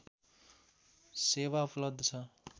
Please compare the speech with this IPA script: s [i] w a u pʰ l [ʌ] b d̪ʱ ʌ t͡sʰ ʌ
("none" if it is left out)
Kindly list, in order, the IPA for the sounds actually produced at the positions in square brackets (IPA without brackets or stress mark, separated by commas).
e, ʌ